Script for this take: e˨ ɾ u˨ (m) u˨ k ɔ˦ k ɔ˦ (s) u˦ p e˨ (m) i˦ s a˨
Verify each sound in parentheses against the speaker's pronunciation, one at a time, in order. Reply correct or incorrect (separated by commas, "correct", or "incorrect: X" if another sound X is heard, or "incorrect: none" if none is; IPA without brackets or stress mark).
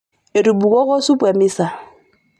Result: incorrect: b, correct, correct